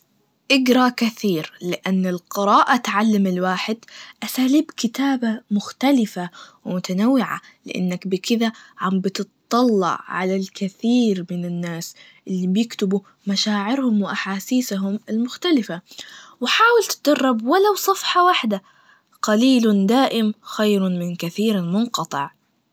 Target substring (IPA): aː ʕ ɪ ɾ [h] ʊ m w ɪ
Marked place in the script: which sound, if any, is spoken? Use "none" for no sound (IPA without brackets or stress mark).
h